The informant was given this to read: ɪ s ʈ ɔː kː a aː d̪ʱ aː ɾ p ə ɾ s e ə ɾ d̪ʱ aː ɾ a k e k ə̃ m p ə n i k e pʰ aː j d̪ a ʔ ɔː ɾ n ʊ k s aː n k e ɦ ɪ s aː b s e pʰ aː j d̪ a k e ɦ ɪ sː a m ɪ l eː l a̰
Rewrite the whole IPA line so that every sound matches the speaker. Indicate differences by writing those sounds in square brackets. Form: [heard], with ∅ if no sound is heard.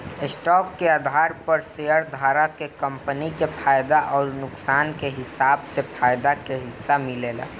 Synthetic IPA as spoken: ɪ s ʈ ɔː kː [e] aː d̪ʱ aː ɾ p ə ɾ s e ə ɾ d̪ʱ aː ɾ a k e k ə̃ m p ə n i k e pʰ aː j d̪ a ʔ ɔː ɾ n ʊ k s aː n k e ɦ ɪ s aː b s e pʰ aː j d̪ a k e ɦ ɪ sː a m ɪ l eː l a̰